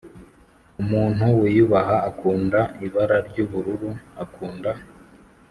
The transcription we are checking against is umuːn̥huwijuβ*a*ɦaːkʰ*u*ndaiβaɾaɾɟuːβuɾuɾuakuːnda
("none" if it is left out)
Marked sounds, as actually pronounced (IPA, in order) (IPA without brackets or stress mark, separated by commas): a, uː